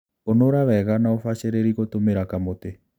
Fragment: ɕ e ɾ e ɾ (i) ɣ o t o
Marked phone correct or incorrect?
correct